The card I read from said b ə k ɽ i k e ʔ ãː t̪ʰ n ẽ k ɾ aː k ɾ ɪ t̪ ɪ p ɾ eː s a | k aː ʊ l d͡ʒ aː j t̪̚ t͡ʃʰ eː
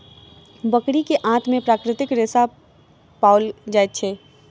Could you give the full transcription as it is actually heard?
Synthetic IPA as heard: b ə k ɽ i k e ʔ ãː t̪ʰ m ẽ p ɾ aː k ɾ ɪ t̪ ɪ k ɾ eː s a | p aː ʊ l d͡ʒ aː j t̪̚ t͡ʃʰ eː